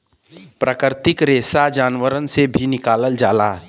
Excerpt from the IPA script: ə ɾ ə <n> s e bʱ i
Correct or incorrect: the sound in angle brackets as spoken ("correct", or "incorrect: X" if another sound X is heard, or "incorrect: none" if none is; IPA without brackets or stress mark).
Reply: correct